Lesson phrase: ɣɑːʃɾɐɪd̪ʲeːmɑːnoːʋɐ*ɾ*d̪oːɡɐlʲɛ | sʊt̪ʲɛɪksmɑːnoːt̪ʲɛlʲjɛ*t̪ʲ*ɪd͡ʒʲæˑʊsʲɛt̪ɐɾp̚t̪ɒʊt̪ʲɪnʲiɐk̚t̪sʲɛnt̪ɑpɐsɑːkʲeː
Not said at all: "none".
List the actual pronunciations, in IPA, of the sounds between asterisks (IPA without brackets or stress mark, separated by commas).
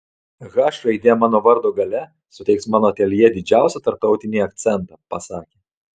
ɾ, d̪ʲ